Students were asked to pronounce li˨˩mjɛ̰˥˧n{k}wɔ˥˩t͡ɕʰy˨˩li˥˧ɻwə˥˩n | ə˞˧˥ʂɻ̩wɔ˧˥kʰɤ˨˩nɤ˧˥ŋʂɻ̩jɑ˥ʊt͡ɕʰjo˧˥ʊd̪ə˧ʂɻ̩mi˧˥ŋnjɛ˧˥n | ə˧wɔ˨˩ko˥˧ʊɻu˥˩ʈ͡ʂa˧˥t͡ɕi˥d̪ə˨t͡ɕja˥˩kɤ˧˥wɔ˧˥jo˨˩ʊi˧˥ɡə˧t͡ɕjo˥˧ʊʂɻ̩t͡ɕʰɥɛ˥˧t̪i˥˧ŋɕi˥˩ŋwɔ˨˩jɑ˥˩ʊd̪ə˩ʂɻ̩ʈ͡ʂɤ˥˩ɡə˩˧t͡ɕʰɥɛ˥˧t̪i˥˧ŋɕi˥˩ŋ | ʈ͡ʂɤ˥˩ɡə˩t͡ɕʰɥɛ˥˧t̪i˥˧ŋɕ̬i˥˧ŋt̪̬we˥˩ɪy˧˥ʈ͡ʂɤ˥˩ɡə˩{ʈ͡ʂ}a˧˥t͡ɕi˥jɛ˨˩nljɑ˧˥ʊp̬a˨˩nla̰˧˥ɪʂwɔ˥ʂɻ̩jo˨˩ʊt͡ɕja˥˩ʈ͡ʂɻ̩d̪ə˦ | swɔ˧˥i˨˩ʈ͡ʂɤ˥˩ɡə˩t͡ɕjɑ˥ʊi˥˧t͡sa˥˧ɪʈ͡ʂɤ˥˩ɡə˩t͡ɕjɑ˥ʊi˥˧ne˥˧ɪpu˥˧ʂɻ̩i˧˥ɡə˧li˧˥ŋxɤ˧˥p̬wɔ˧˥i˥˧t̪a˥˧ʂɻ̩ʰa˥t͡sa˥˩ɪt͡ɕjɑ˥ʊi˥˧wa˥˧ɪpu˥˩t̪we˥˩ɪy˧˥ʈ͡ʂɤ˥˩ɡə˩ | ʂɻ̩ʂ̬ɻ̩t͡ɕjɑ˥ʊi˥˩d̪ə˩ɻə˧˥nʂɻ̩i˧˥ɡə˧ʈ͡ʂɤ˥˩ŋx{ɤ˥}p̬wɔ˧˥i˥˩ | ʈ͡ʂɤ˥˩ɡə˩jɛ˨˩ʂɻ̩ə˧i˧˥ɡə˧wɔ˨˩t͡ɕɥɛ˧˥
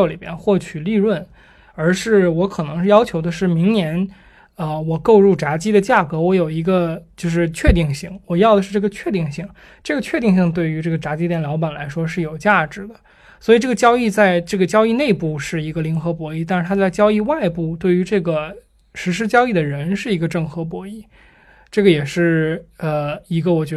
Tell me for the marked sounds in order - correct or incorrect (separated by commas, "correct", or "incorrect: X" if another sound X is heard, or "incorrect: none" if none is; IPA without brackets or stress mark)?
incorrect: x, correct, incorrect: ɤ˧˥